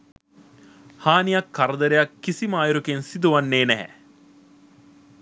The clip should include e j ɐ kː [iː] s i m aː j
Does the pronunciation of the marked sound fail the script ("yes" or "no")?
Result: yes